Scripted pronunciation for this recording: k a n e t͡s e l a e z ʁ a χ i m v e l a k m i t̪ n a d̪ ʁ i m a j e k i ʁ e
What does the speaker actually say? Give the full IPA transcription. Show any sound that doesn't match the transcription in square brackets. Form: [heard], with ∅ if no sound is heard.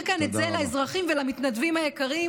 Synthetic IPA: k a n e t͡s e l a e z ʁ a χ i m v e l a [∅] m i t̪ n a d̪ [v] i m a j e k [a] ʁ [i]